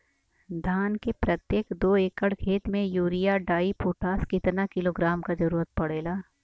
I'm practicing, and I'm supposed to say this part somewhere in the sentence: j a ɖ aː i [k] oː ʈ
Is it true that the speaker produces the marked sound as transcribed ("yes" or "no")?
no